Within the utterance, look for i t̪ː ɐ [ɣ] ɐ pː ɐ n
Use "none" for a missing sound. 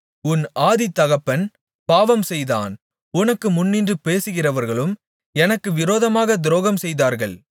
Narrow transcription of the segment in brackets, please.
ɣ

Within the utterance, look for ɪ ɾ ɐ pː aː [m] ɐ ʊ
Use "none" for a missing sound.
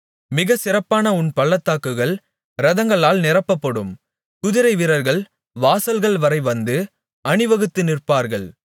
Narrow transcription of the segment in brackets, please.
n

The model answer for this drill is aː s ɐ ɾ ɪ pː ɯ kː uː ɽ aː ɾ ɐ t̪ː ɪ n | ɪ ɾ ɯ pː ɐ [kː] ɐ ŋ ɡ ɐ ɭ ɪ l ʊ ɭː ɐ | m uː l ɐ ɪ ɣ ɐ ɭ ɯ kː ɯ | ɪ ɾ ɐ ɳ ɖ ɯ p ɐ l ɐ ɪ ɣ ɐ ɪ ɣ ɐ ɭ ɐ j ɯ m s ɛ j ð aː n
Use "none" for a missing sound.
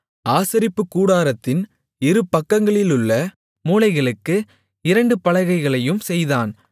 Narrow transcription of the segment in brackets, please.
kː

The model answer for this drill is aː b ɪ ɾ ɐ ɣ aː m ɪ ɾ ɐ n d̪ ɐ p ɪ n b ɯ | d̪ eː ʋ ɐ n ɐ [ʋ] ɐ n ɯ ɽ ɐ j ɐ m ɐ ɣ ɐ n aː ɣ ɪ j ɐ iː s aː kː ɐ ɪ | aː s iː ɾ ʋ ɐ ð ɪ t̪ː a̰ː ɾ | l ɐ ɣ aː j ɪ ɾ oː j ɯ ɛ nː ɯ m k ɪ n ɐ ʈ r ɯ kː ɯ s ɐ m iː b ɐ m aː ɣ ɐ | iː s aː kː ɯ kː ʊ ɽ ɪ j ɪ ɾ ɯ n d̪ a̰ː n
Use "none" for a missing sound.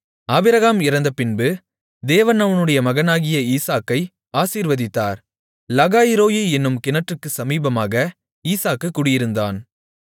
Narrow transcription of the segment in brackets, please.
ʋ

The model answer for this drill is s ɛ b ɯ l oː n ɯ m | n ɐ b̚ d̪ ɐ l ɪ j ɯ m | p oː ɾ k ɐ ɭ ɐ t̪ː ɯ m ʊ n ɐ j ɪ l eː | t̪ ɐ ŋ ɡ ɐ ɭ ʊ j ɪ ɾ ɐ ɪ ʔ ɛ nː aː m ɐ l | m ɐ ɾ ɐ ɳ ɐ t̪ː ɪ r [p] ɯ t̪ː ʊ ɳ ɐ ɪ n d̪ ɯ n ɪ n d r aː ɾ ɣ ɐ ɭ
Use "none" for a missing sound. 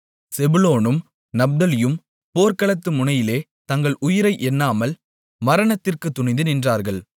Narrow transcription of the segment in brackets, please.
k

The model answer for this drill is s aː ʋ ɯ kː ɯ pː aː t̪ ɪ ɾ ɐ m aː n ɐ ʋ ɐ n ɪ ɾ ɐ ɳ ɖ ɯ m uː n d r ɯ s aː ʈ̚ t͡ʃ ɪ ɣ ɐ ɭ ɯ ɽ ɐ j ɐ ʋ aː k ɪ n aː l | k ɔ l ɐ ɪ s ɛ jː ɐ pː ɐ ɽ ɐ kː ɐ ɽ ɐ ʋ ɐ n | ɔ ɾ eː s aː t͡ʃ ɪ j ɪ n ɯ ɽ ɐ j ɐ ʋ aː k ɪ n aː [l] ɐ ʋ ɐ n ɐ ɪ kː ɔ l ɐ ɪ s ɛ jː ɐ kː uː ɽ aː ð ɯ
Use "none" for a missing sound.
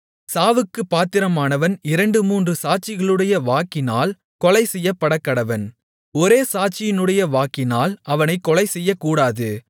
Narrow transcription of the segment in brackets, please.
l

